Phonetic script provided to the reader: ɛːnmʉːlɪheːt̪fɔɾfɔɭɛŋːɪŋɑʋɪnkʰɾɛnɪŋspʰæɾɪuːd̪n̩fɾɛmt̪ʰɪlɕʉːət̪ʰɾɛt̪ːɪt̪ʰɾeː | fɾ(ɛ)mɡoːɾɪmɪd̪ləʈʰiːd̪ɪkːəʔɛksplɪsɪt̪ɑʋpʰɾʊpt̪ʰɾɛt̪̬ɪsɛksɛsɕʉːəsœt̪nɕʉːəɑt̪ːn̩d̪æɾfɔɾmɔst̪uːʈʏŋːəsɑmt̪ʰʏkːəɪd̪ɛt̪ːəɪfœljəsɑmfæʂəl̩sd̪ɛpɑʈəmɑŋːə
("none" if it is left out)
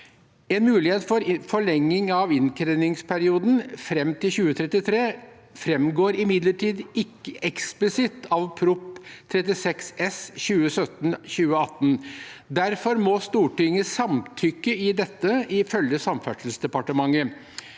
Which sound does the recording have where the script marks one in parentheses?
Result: ɛ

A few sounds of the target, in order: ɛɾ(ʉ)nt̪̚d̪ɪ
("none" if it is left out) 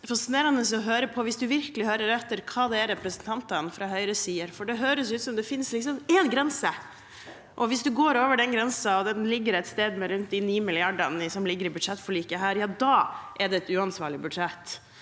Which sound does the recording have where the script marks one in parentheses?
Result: ʉ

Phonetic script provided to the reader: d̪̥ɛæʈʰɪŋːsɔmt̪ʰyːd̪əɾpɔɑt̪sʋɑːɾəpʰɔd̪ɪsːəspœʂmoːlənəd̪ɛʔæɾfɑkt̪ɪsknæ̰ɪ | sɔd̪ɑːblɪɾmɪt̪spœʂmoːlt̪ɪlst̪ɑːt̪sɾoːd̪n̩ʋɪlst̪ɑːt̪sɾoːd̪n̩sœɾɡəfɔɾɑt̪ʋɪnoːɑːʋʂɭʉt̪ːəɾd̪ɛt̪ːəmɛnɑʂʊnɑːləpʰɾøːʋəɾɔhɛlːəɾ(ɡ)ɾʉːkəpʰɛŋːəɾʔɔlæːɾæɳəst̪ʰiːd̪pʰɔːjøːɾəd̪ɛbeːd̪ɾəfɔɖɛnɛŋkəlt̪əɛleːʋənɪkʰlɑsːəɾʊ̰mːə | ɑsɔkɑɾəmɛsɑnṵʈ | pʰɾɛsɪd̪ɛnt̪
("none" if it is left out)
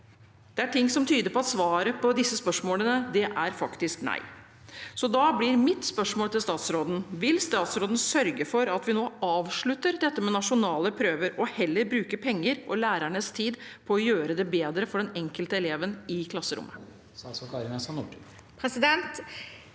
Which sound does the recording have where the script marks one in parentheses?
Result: b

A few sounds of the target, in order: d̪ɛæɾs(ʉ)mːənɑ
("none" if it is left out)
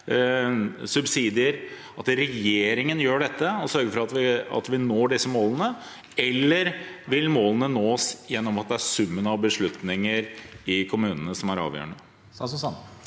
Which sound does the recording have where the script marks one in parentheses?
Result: ʉ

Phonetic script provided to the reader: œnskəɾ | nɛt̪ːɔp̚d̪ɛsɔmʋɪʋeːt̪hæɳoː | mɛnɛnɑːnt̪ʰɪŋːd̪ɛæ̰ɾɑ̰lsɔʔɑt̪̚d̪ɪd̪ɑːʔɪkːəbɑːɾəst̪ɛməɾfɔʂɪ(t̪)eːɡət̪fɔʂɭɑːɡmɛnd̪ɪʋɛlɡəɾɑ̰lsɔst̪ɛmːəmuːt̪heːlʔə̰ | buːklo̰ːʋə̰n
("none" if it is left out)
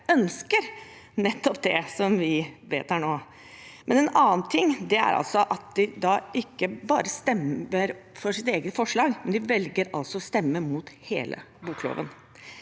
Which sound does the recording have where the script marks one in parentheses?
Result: t̪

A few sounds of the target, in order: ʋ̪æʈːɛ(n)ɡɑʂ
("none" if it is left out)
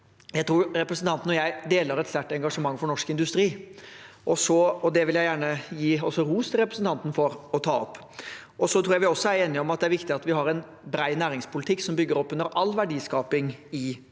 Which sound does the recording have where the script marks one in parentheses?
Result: ŋ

